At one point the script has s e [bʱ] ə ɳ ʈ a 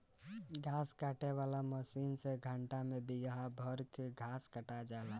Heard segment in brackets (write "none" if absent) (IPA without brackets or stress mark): ɡʱ